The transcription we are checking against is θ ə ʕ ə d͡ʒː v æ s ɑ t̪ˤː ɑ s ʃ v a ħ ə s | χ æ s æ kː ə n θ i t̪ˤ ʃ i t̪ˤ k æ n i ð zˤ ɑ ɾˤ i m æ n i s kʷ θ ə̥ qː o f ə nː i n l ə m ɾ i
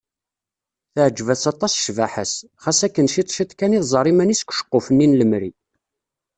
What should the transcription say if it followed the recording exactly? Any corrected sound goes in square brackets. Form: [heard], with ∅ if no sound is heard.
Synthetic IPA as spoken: θ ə ʕ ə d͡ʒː v æ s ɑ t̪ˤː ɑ s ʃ v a ħ ə s | χ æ s æ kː ə n [ʃ] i t̪ˤ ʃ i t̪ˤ k æ n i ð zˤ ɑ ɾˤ i m æ n i s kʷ [ʃ] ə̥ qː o f ə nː i n l ə m ɾ i